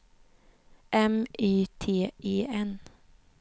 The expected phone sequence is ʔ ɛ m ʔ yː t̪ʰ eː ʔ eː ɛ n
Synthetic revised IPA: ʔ ɛ m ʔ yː t̪ʰ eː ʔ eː ɛ n